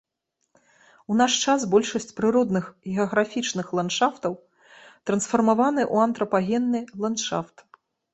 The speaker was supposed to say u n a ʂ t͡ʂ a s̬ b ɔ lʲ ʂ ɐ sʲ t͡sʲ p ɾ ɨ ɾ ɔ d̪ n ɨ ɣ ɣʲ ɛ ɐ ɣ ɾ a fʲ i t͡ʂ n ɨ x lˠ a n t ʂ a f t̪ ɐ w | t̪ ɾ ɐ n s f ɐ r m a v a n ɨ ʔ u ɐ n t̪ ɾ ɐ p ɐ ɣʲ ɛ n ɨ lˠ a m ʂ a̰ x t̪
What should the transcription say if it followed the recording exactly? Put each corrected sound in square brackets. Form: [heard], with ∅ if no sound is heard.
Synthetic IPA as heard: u n a ʂ t͡ʂ a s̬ b ɔ lʲ ʂ ɐ sʲ t͡sʲ p ɾ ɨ ɾ ɔ d̪ n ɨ [x] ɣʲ ɛ ɐ ɣ ɾ a fʲ i t͡ʂ n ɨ x lˠ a n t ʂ a f t̪ ɐ w | t̪ ɾ ɐ n s f ɐ r m a v a n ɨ ʔ u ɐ n t̪ ɾ ɐ p [a] ɣʲ ɛ [nː] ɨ lˠ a [n] ʂ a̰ [f] t̪